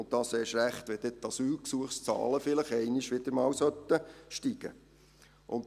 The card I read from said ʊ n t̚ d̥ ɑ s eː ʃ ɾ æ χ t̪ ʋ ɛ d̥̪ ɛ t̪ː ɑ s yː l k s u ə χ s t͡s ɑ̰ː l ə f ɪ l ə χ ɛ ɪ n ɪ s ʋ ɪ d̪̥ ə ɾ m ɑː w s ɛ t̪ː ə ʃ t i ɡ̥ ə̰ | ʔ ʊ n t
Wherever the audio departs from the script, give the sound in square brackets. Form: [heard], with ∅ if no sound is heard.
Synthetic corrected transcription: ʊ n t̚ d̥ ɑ s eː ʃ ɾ æ χ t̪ ʋ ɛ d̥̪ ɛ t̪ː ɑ s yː l k s u ə χ s t͡s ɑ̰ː l ə f ɪ l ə χ ɛ ɪ n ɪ [ʃ] ʋ ɪ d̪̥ ə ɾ m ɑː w s [œ] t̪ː ə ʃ t i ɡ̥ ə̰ | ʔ ʊ n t

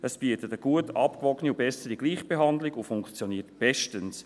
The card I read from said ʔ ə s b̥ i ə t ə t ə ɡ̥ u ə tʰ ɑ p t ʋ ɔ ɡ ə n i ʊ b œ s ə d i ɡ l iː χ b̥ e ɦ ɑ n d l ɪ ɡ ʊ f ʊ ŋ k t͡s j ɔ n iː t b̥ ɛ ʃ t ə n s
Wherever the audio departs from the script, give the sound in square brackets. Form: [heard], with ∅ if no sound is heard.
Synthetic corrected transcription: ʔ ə s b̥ i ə t ə t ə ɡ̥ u ə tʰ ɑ p [k] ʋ ɔ ɡ ə n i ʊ b [ɛ] s ə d i ɡ l iː χ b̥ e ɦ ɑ n d l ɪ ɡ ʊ f ʊ ŋ k t͡s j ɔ n iː t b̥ ɛ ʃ t ə n s

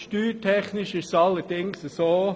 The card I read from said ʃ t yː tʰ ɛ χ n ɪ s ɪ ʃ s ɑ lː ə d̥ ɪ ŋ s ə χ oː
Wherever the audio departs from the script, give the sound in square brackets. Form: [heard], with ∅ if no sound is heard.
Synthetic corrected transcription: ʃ t yː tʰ ɛ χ n ɪ [ʃ] ɪ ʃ s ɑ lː ə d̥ ɪ ŋ s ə [s] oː

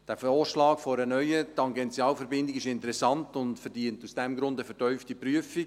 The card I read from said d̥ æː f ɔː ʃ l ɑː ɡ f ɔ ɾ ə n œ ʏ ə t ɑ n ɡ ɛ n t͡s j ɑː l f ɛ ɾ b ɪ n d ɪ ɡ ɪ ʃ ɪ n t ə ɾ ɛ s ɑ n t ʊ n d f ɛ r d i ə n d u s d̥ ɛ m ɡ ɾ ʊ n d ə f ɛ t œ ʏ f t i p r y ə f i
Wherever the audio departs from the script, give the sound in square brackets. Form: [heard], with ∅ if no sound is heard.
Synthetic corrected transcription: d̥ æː f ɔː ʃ l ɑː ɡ f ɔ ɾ ə n œ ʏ ə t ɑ [ŋ] ɡ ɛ n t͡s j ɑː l f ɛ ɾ b ɪ n d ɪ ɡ ɪ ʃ ɪ n t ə ɾ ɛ s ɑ n t ʊ n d f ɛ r d i ə n [t] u s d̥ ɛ m ɡ ɾ ʊ n d ə f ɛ t œ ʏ f t i p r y ə f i

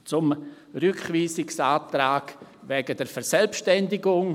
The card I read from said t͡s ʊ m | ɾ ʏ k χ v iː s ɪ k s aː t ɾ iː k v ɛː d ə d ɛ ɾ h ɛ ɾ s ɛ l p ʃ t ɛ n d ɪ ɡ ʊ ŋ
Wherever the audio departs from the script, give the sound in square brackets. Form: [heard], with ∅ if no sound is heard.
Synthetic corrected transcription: t͡s ʊ m | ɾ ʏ k χ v iː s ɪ k s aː t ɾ [aː] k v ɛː [ɡ] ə d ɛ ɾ [f] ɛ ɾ s ɛ l p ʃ t ɛ n d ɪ ɡ ʊ ŋ

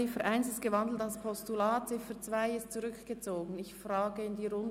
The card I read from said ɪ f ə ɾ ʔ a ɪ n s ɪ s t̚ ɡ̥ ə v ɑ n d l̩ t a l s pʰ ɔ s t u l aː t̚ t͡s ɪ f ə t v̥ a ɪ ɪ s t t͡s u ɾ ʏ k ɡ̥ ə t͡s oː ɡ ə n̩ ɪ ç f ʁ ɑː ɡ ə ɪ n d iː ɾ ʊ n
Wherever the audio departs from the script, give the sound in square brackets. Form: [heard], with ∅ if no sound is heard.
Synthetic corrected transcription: ɪ f ə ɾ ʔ a ɪ n s ɪ s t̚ ɡ̥ ə v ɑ n d l̩ t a l s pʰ ɔ s t u l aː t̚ t͡s ɪ f ə [t͡s] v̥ a ɪ ɪ s t t͡s u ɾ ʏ k ɡ̥ ə t͡s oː ɡ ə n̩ ɪ ç f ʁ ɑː ɡ ə ɪ n d iː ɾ ʊ n

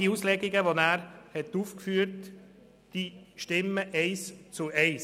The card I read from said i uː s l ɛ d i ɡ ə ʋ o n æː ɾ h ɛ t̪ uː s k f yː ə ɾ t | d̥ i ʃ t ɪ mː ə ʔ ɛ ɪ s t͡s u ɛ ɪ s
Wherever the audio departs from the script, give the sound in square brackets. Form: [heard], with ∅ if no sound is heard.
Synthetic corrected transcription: i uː s l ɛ [ɡ] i ɡ ə ʋ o n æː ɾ h ɛ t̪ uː [f] k f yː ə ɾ t | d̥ i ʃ t ɪ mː ə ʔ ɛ ɪ s t͡s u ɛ ɪ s

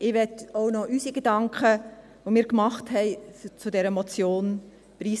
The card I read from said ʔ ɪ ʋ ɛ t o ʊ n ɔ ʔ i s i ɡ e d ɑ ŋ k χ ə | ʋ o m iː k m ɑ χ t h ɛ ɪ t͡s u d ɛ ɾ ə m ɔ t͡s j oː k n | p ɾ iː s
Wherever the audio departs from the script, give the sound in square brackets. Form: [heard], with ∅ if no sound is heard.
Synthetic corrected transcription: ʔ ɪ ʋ ɛ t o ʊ n ɔ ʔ [y] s i ɡ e d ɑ ŋ k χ ə | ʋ o m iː k m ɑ χ t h ɛ ɪ t͡s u d ɛ ɾ ə m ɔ t͡s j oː [∅] n | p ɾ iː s

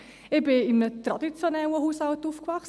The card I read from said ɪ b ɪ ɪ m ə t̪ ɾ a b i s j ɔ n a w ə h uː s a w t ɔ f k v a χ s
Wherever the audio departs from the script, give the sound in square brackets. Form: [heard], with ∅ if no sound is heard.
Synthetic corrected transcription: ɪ b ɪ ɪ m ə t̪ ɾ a [d] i [t͡s] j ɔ n [ɛ] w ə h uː s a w t [u] f k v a χ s

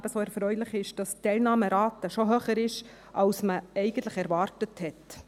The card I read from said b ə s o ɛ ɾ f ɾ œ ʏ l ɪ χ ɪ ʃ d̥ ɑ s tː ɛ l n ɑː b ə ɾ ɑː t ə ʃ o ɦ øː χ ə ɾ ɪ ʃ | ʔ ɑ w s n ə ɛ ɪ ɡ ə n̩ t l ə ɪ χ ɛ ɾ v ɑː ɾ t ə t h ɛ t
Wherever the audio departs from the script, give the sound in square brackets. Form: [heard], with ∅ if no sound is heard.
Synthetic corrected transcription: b ə s o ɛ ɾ f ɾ œ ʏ l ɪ χ ɪ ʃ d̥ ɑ s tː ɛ l n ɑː [m] ə ɾ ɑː t ə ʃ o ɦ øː χ ə ɾ ɪ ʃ | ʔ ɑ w s [m] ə ɛ ɪ ɡ ə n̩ t l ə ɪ χ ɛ ɾ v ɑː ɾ t ə t h ɛ t

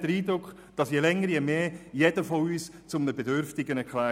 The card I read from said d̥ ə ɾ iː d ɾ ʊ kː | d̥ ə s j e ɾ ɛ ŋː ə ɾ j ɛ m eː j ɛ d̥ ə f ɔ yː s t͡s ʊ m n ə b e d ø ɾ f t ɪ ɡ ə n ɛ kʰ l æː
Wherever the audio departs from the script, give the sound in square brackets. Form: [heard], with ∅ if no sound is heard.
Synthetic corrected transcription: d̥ ə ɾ iː d ɾ ʊ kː | d̥ [ɑ] s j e [l] ɛ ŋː ə ɾ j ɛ m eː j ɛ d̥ ə f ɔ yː s t͡s ʊ m n ə b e d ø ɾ f t ɪ ɡ ə n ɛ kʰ l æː

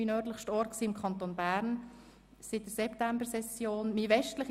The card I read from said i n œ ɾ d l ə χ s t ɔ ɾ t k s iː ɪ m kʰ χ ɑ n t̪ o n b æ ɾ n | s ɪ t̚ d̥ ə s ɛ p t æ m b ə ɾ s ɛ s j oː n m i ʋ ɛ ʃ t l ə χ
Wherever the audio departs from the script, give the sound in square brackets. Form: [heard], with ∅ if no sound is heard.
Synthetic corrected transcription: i n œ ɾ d l ə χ [ʃ] t ɔ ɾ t k s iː ɪ m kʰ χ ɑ n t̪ o n b æ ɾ n | s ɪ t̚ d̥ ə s ɛ p t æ m b ə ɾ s ɛ s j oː n m i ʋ ɛ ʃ t l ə χ

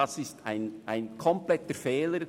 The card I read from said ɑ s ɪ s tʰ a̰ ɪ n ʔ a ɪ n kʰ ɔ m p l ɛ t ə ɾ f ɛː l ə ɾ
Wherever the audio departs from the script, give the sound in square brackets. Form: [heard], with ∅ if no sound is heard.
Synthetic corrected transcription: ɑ s ɪ s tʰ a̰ ɪ n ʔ a ɪ n kʰ ɔ m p l ɛ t ə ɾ f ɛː l ə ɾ

